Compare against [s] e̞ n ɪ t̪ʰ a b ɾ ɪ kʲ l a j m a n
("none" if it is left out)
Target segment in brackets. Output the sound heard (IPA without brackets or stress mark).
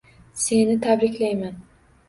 s